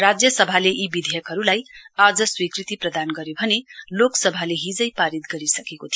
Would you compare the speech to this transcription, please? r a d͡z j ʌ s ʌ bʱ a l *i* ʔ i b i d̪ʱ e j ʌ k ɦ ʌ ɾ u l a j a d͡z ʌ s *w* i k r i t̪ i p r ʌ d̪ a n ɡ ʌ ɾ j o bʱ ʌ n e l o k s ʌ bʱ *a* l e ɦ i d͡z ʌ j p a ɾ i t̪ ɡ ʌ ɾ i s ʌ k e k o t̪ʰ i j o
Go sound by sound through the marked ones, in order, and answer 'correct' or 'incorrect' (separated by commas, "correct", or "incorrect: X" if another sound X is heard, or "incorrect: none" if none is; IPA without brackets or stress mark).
incorrect: e, correct, correct